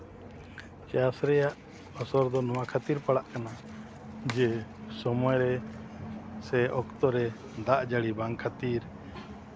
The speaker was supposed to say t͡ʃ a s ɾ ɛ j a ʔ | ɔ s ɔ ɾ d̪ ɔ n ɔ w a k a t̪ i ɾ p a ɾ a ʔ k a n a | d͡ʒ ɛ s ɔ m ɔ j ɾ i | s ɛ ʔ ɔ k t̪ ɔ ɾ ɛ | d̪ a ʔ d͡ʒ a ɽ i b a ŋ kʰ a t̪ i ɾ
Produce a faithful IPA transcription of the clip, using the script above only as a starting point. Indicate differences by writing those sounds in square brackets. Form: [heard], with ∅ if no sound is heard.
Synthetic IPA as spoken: t͡ʃ a s ɾ ɛ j a ʔ | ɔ s ɔ ɾ d̪ ɔ n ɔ w a [kʰ] a t̪ i ɾ p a [ɽ] a ʔ k a n a | d͡ʒ ɛ s ɔ m ɔ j ɾ [ɛ] | s ɛ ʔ ɔ k t̪ ɔ ɾ ɛ | d̪ a ʔ d͡ʒ a ɽ i b a ŋ kʰ a t̪ i ɾ

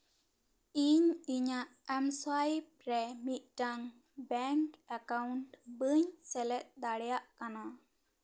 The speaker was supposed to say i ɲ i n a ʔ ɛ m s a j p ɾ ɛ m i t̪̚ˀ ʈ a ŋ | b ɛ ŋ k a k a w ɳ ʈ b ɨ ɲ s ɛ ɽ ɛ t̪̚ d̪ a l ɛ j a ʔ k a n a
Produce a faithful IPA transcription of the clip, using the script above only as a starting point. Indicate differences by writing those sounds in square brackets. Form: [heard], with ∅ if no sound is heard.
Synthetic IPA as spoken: i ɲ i [ɲ] a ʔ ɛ m s a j p ɾ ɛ m i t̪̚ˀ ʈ a ŋ | b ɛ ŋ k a k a w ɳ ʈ b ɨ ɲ s ɛ [l] ɛ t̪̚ d̪ a [ɽ] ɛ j a ʔ k a n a

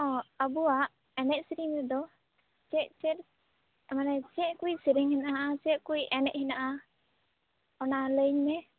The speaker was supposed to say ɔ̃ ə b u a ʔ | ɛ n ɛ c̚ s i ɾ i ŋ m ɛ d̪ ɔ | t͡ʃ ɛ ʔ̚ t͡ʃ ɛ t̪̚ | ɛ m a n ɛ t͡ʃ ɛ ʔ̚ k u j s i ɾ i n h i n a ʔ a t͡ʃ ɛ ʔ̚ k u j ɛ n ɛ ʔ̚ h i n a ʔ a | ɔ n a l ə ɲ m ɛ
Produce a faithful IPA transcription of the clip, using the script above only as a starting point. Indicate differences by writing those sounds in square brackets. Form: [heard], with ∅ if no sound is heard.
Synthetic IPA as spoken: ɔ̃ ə b u a ʔ | ɛ n ɛ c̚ s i ɾ i ŋ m ɛ d̪ ɔ | t͡ʃ ɛ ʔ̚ t͡ʃ ɛ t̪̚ | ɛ m a n ɛ t͡ʃ ɛ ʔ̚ k u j s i ɾ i [ŋ] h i n a ʔ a t͡ʃ ɛ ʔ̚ k u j ɛ n ɛ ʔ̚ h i n a ʔ a | ɔ n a l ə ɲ m ɛ

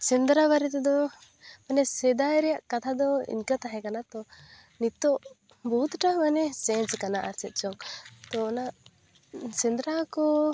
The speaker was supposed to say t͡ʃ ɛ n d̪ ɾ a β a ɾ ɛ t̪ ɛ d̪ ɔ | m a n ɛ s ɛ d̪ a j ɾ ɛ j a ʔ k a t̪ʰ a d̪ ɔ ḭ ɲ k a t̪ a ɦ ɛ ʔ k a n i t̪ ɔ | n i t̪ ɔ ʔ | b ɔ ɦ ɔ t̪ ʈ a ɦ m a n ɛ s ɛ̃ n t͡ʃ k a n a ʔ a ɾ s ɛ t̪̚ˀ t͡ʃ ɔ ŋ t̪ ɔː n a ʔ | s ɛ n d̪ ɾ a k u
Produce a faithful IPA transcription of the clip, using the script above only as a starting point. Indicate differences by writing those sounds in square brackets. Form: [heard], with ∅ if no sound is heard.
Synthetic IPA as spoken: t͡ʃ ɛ n d̪ ɾ a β a ɾ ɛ t̪ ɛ d̪ ɔ | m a n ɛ s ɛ d̪ a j ɾ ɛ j a ʔ k a t̪ʰ a d̪ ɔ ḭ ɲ k a t̪ a ɦ ɛ [∅] k a n [a] t̪ ɔ | n i t̪ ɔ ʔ | b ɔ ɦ [u] t̪ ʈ a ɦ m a n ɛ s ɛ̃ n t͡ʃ k a n a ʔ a ɾ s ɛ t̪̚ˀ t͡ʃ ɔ ŋ t̪ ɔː n a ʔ | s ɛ n d̪ ɾ a k [ɔ]

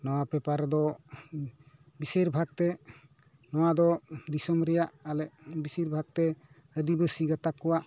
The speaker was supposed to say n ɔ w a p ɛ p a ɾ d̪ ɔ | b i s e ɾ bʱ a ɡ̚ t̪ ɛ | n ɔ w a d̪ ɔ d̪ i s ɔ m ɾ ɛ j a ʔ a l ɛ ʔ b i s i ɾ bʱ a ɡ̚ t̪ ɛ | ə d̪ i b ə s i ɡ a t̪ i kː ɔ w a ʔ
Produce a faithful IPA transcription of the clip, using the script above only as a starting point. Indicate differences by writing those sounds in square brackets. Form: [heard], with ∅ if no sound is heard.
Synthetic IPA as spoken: n ɔ w a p ɛ p a ɾ d̪ ɔ | b i s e ɾ bʱ a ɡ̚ t̪ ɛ | n ɔ w a d̪ ɔ d̪ i s ɔ m ɾ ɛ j a ʔ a l ɛ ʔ b i s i ɾ bʱ a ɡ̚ t̪ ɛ | ə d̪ i b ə s i ɡ a t̪ [a] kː ɔ w a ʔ

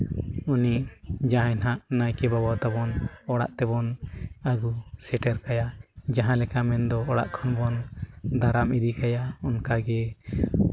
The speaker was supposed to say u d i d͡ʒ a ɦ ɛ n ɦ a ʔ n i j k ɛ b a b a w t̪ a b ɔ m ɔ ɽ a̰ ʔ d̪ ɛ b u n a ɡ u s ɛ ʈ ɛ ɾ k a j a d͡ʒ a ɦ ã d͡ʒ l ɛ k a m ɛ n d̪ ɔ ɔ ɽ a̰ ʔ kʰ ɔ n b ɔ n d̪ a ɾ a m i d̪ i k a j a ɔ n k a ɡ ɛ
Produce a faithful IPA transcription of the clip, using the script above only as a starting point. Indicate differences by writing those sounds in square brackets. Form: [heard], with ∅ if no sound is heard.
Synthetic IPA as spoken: u [n] i d͡ʒ a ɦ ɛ n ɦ a ʔ n [a] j k ɛ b a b a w t̪ a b ɔ [n] ɔ ɽ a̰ ʔ [t̪] ɛ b [ɔ] n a ɡ u s ɛ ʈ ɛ ɾ k a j a d͡ʒ a ɦ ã [∅] l ɛ k a m ɛ n d̪ ɔ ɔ ɽ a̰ ʔ kʰ ɔ n b ɔ n d̪ a ɾ a m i d̪ i k a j a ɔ n k a ɡ ɛ

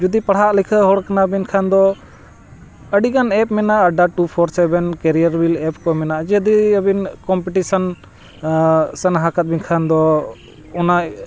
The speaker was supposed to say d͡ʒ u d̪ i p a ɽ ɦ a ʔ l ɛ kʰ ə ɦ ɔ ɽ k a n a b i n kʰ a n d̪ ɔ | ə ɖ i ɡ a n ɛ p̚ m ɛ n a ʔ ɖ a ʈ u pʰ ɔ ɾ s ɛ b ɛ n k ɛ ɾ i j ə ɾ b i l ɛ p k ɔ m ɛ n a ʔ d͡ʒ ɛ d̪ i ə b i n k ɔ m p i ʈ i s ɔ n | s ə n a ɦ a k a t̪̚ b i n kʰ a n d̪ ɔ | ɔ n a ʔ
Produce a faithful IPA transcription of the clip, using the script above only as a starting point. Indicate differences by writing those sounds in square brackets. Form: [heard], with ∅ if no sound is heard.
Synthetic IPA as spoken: d͡ʒ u d̪ i p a ɽ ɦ a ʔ l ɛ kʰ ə ɦ ɔ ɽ k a n a b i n kʰ a n d̪ ɔ | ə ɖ i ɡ a n ɛ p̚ m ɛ n a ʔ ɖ a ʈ u pʰ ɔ ɾ s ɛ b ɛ n k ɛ ɾ i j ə ɾ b i l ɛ p k ɔ m ɛ n a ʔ d͡ʒ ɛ d̪ i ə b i n k ɔ m p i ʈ i s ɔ n | s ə n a ɦ a k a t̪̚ b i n kʰ a n d̪ ɔ | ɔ n a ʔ

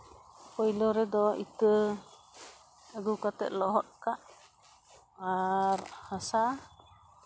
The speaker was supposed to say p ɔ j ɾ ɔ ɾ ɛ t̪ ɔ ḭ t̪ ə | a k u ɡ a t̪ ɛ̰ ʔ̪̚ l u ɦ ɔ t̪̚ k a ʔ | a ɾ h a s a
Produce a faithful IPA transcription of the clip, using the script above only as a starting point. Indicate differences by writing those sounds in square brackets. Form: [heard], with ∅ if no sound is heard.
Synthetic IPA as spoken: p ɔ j [l] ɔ ɾ ɛ [d̪] ɔ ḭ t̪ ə | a [ɡ] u [k] a t̪ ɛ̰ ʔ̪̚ l [ɔ] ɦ ɔ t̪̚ k a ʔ | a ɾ h a s a

